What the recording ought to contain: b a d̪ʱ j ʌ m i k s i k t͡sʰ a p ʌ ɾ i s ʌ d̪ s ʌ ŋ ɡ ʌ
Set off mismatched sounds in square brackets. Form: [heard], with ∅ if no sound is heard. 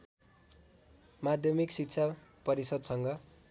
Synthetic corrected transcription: [m] a d̪ʱ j ʌ m i k s i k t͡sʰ a p ʌ ɾ i s ʌ d̪ s ʌ ŋ ɡ ʌ